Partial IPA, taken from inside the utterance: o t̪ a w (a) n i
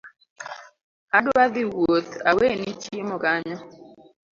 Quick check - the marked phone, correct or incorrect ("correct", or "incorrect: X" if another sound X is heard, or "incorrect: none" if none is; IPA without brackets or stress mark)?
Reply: incorrect: e